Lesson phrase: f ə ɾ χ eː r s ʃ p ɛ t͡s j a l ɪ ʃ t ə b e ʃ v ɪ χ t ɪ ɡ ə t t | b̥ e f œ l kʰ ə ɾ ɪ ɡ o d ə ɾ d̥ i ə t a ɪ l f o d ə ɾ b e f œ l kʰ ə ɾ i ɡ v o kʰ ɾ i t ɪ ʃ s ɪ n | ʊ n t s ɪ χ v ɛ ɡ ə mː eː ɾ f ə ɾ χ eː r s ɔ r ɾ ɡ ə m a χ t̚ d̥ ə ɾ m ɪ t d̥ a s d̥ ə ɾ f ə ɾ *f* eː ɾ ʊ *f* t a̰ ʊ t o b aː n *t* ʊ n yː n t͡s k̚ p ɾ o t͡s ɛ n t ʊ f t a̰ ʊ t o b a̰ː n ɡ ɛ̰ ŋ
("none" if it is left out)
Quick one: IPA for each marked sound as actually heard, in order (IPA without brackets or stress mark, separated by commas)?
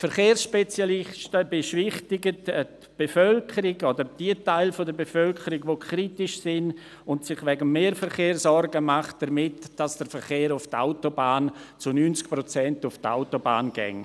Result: χ, f, t͡s